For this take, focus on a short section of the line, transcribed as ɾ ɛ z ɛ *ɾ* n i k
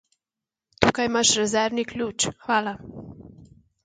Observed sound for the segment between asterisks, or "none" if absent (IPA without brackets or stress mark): ɾ